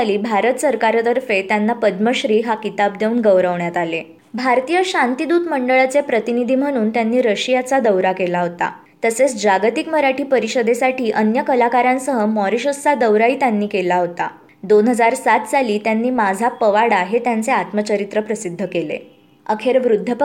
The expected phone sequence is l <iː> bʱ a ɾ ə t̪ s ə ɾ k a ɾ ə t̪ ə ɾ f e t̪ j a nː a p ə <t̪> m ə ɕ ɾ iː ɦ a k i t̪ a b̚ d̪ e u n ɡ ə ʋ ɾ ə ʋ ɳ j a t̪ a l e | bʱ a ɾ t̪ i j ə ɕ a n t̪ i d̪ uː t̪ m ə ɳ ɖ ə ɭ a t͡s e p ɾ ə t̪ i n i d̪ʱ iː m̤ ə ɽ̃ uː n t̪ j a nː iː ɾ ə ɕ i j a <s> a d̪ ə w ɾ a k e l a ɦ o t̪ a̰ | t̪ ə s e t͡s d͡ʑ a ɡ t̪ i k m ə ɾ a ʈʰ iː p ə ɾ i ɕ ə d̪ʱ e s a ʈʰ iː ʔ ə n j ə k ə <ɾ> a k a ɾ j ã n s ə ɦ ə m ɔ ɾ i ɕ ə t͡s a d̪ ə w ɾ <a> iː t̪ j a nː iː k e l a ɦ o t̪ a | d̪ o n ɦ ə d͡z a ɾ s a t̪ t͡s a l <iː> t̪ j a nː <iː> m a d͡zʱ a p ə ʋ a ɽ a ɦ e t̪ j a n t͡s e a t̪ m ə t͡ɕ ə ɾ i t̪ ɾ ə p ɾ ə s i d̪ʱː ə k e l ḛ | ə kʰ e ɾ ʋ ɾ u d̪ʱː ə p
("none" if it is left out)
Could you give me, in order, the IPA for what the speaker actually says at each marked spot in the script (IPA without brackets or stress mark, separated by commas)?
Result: iː, d̪, t͡s, l, a, iː, iː